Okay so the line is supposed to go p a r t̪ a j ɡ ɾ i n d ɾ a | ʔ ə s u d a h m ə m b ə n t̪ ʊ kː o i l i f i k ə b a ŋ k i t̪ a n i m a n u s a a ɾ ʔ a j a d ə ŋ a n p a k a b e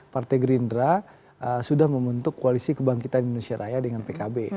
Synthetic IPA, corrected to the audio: p a r t̪ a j ɡ ɾ i n d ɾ a | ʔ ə s u d a h m ə m b ə n t̪ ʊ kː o a l i s i k ə b a ŋ k i t̪ a n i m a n u s i a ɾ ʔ a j a d ə ŋ a n p e k a b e